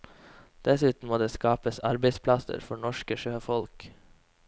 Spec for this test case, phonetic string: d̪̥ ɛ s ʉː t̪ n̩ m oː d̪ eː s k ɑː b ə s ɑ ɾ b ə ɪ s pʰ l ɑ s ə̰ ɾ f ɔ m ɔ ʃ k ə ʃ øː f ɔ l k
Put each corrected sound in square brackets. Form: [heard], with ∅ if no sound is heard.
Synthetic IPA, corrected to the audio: d̪̥ ɛ s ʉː t̪ n̩ m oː d̪ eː s k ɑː [p] ə s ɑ ɾ b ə ɪ s pʰ l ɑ s ə̰ ɾ f ɔ [ɳ] ɔ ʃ k ə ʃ øː f ɔ l k

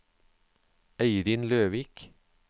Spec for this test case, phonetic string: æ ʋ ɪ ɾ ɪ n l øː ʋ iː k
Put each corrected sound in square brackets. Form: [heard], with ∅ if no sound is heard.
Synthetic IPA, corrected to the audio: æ [∅] ɪ ɾ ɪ n l øː ʋ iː k

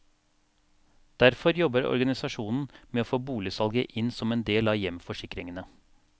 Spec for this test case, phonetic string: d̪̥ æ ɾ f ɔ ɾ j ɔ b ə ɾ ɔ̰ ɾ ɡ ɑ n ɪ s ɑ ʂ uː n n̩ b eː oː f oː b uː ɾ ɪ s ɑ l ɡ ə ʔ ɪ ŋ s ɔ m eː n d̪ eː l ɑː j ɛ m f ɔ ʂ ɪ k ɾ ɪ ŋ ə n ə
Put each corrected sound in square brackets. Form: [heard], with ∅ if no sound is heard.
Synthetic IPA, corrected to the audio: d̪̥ æ ɾ f ɔ ɾ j ɔ b ə ɾ ɔ̰ ɾ ɡ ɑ n ɪ s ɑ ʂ uː n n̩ [m] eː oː f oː b uː [l] ɪ s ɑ l ɡ ə ʔ ɪ [n] s ɔ m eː n d̪ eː l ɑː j ɛ m f ɔ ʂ ɪ k ɾ ɪ ŋ ə n ə

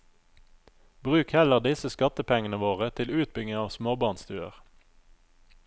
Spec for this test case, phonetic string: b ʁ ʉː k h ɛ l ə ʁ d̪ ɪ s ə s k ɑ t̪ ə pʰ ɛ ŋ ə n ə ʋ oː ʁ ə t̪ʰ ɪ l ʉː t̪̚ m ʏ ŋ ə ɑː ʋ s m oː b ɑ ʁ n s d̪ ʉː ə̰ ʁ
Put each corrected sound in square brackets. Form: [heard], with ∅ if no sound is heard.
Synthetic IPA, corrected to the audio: b ʁ ʉː k h ɛ l ə ʁ d̪ ɪ s ə s k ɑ t̪ ə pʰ ɛ ŋ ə n ə ʋ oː ʁ ə t̪ʰ ɪ l ʉː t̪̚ [b] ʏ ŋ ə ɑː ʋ s m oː b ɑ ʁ n s [t̪] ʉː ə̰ ʁ

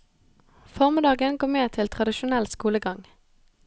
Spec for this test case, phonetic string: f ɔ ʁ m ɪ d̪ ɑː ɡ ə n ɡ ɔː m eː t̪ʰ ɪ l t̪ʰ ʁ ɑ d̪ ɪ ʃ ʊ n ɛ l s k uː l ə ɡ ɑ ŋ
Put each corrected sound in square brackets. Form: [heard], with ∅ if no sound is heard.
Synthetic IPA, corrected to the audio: f ɔ ʁ m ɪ d̪ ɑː ɡ ə n ɡ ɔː m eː t̪ʰ ɪ l t̪ʰ ʁ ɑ d̪ ɪ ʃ ʊ n ɛ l s k uː l ə ɡ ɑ ŋ

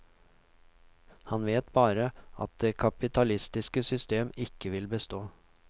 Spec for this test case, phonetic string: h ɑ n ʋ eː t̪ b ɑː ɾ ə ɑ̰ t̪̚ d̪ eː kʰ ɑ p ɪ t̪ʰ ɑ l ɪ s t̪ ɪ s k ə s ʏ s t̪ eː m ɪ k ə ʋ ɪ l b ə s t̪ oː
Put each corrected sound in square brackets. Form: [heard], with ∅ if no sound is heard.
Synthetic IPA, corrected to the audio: h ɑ n ʋ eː t̪ b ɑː ɾ ə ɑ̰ t̪̚ d̪ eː kʰ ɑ p ɪ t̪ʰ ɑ l ɪ s t̪ ɪ s k ə s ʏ s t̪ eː m ɪ k ə ʋ ɪ l b ə s t̪ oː

